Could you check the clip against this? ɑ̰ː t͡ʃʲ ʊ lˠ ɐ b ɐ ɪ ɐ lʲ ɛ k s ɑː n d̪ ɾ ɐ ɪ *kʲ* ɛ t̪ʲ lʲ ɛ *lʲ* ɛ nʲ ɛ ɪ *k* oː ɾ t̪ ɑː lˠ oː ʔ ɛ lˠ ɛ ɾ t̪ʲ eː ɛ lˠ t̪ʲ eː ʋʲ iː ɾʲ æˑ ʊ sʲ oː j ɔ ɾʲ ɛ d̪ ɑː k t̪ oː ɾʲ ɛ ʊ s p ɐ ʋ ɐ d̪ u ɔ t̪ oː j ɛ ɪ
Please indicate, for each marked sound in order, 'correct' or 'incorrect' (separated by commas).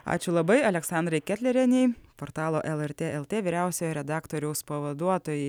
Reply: correct, incorrect, incorrect